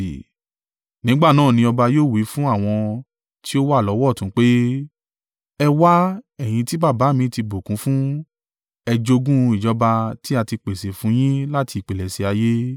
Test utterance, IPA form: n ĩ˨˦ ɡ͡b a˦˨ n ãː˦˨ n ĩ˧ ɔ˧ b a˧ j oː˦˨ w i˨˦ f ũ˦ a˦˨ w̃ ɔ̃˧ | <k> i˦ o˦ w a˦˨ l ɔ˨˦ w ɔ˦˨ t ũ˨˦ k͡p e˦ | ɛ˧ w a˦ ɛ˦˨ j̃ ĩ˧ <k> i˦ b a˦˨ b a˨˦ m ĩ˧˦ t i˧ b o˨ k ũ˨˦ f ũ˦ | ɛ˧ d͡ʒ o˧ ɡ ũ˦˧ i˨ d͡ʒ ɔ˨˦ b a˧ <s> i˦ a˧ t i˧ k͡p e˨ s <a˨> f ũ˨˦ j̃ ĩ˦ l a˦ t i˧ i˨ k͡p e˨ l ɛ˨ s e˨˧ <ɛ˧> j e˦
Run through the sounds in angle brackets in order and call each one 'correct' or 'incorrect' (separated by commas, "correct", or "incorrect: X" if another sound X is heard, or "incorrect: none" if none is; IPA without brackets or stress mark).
incorrect: t, incorrect: t, incorrect: t, incorrect: e˨, incorrect: a˧